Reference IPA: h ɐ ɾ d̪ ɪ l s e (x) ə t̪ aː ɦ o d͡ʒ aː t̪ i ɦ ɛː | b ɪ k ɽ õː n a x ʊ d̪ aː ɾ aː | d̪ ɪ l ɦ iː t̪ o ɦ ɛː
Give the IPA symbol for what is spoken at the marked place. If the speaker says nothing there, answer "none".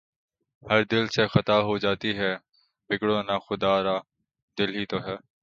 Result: x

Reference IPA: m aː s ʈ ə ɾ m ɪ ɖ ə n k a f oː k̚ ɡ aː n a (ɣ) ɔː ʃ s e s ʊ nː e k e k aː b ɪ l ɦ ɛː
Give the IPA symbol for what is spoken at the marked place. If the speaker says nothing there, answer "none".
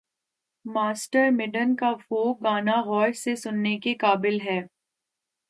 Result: ɣ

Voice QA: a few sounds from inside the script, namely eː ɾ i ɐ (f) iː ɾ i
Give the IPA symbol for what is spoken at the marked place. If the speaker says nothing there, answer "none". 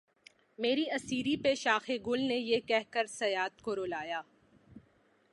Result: s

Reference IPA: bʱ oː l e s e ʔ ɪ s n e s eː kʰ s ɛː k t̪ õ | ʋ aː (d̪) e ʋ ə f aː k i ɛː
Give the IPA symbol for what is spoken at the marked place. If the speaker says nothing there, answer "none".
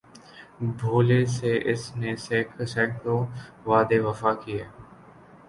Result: d̪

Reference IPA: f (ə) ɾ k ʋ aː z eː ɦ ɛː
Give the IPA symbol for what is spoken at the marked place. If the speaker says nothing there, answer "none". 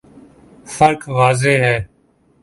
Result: ə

